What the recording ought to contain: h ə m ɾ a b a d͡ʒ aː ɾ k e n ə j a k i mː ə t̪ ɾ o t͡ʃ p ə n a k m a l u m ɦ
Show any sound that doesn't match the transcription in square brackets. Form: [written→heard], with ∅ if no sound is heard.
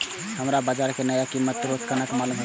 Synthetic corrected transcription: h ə m ɾ a b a d͡ʒ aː ɾ k e n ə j a k i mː ə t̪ ɾ o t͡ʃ [p→k] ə n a k m a l u m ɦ